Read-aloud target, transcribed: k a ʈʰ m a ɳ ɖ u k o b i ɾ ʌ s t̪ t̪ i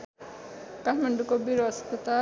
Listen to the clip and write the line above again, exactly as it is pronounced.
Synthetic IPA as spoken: k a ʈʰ m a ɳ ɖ u k o b i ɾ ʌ s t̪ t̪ a